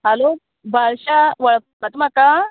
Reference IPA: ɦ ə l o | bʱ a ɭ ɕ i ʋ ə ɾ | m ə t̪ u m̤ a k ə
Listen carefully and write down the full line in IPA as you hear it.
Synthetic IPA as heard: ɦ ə l o | bʱ a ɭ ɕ a ʋ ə ɭ | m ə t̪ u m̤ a k a